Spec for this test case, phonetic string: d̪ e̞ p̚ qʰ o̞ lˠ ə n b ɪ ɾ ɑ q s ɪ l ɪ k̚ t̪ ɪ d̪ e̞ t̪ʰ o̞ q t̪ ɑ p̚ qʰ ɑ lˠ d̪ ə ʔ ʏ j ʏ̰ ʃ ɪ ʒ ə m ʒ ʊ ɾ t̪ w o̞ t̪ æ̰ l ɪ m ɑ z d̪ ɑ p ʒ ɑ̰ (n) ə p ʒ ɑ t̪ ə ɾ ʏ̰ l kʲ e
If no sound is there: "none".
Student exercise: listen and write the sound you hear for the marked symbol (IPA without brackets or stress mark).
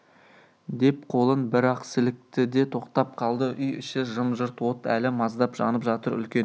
n